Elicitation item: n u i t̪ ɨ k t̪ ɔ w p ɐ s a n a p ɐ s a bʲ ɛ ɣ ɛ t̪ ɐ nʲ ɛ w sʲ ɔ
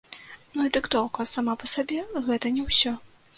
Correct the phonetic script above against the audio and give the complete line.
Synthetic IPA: n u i d̪ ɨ k t̪ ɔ w k ɐ s a m a p ɐ s a bʲ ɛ ɣ ɛ t̪ ɐ nʲ ɛ w sʲ ɔ